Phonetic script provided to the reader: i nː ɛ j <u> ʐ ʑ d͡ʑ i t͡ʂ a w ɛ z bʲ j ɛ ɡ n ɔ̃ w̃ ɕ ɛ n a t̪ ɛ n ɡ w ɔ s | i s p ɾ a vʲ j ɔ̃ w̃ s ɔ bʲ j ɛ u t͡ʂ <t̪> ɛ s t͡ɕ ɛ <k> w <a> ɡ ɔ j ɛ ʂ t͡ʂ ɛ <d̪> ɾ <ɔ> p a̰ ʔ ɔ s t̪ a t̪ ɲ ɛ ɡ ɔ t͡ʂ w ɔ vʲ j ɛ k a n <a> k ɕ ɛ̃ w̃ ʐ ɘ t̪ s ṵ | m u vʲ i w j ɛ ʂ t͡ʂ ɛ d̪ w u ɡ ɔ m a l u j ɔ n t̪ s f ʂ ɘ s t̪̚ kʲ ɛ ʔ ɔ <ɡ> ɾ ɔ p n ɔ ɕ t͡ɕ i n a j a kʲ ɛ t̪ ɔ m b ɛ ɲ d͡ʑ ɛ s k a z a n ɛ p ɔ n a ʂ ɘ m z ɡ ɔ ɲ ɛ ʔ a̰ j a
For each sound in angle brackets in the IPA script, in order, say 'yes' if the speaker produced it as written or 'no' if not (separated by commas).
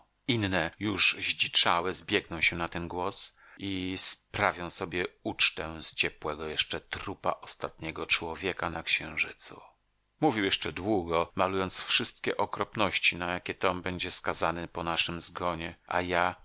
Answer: yes, yes, no, no, no, no, yes, no